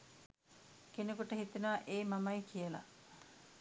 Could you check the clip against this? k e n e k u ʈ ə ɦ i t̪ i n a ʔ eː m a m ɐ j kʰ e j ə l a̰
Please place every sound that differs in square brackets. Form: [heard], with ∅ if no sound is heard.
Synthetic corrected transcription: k e n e k u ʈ ə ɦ i t̪ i n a ʔ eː m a m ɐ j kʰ [i] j ə l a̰